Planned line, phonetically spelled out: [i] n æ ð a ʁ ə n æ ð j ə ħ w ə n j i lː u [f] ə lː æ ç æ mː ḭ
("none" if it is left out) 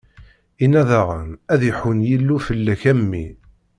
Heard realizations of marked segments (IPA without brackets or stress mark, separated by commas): i, f